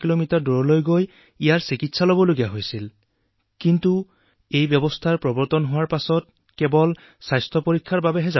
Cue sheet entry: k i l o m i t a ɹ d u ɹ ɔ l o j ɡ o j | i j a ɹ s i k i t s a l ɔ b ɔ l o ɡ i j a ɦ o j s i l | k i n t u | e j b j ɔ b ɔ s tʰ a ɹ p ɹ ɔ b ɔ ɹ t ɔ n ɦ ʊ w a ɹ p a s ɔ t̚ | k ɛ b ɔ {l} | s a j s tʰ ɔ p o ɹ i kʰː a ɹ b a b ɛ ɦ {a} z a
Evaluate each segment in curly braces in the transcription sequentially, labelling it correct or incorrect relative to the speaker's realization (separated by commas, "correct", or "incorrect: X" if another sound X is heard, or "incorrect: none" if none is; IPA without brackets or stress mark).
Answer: correct, incorrect: ɛ